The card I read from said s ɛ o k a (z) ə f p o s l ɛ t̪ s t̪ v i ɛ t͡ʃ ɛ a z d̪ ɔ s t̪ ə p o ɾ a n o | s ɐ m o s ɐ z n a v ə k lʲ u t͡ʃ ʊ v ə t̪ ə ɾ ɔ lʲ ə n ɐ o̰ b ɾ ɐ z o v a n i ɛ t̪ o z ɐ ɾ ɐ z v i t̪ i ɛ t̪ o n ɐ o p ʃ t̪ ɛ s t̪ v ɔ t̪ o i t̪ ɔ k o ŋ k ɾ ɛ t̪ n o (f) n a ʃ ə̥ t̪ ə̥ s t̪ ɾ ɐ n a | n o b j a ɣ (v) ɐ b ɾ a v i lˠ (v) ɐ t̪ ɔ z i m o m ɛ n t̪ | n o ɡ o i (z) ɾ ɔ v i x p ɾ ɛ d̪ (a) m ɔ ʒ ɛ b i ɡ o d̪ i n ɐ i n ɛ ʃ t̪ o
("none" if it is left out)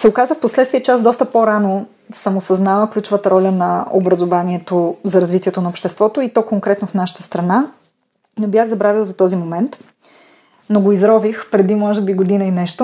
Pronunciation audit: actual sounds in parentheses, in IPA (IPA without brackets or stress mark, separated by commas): z, f, z, z, z, i